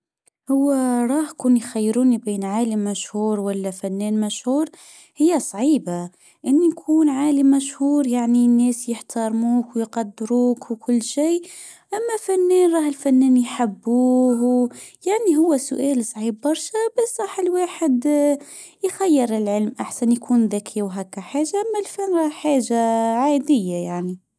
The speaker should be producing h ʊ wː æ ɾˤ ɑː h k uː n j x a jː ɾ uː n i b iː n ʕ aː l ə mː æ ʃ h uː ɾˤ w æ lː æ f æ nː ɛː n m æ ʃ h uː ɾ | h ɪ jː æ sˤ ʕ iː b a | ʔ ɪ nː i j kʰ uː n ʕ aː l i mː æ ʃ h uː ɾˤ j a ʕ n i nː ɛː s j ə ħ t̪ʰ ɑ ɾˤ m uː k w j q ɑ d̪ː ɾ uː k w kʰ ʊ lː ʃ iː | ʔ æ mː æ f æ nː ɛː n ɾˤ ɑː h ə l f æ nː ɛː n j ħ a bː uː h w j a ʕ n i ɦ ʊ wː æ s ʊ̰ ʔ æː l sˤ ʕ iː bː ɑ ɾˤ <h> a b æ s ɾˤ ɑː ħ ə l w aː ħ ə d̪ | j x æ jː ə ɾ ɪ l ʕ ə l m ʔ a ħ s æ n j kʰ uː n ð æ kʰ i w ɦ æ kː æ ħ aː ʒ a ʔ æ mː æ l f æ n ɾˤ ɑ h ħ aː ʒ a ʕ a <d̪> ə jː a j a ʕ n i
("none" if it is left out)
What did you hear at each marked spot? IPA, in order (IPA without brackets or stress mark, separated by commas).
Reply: ʃ, d̪